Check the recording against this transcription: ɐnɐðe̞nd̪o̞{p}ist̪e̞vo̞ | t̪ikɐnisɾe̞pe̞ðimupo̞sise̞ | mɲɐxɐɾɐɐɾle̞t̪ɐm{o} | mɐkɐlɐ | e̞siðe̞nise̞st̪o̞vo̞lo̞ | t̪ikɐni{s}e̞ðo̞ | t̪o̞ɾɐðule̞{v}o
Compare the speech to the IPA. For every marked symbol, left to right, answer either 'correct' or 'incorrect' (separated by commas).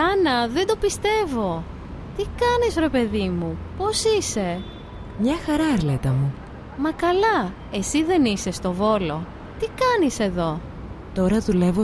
correct, incorrect, correct, correct